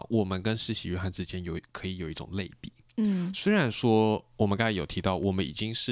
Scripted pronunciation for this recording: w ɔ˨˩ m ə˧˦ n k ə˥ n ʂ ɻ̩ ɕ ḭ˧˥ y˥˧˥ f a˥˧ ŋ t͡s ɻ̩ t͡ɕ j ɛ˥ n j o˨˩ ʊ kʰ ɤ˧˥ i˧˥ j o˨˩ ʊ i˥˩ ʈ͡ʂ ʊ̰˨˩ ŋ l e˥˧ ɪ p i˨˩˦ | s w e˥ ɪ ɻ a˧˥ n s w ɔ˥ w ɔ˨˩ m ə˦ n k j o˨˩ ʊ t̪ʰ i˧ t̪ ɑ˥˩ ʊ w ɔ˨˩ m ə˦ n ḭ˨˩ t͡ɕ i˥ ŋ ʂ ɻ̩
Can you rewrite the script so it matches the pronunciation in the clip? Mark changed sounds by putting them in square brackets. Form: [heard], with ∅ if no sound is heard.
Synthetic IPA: w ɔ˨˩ m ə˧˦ n k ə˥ n ʂ ɻ̩ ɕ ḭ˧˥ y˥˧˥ [x] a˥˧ [n] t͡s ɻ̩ t͡ɕ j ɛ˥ n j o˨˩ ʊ kʰ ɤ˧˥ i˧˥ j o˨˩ ʊ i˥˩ ʈ͡ʂ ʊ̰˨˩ ŋ l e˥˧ ɪ p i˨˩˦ | s w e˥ ɪ ɻ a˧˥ n [ʂ] w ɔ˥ w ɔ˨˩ m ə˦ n k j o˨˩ ʊ t̪ʰ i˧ t̪ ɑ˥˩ ʊ w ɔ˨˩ m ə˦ n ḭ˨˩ t͡ɕ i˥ ŋ ʂ ɻ̩